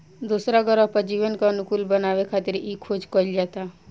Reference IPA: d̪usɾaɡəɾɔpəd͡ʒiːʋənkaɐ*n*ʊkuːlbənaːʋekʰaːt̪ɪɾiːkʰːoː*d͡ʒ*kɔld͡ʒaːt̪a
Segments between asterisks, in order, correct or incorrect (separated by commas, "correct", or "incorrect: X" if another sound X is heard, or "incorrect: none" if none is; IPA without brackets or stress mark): correct, correct